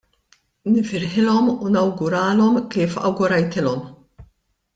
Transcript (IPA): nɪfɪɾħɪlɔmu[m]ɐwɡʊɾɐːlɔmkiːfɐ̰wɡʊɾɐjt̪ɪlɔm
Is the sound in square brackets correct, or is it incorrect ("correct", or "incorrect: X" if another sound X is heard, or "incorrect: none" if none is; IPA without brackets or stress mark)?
incorrect: n